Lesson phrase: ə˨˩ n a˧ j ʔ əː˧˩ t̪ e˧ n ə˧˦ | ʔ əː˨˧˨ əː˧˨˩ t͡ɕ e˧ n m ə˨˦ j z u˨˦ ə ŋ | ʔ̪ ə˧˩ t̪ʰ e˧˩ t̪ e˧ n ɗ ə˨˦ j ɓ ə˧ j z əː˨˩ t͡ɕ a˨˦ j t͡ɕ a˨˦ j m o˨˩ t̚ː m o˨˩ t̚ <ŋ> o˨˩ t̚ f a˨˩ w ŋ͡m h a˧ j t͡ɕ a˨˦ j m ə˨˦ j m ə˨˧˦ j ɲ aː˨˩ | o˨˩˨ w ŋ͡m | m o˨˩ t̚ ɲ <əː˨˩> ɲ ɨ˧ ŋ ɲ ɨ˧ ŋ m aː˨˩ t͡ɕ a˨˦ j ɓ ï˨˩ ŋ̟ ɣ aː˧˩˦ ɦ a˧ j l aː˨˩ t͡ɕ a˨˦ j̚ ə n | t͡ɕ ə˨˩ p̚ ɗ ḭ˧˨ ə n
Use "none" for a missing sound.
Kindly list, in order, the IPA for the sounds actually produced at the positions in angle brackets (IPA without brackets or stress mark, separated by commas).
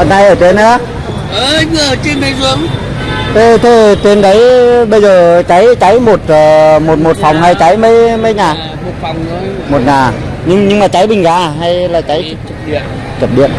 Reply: m, aː˨˩